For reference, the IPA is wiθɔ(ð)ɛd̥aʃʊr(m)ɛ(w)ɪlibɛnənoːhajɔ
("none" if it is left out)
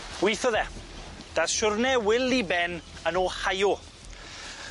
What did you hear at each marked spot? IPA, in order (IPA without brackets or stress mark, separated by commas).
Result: ð, n, w